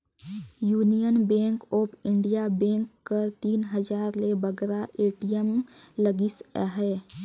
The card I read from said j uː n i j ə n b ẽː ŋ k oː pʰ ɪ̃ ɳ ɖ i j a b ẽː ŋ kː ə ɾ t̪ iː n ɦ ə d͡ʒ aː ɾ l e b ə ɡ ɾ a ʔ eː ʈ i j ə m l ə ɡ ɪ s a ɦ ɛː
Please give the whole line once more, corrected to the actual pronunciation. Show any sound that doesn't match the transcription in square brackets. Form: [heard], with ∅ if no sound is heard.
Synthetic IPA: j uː n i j ə n b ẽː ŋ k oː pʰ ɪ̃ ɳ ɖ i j a b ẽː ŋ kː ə ɾ t̪ iː n ɦ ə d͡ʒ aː ɾ l e b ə ɡ ɾ a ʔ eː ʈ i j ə m l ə ɡ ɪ s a ɦ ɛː